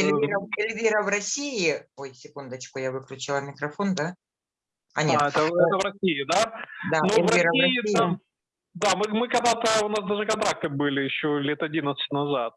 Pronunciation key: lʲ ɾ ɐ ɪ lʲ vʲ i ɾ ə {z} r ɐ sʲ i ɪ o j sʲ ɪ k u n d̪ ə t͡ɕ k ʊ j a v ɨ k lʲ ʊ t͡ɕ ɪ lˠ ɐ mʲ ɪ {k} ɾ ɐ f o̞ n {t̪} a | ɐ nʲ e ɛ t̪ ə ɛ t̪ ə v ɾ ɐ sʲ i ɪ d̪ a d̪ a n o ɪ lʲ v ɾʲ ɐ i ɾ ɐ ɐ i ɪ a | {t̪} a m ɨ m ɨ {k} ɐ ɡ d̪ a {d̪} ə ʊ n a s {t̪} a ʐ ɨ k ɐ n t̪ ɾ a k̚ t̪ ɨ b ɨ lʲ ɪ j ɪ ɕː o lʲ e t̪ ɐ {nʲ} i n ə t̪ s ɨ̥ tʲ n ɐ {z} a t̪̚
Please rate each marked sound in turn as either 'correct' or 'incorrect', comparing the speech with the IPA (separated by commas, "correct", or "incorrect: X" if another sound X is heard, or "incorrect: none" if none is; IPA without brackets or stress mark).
incorrect: v, correct, incorrect: d̪, incorrect: d̪, correct, incorrect: t̪, incorrect: d̪, incorrect: dʲ, correct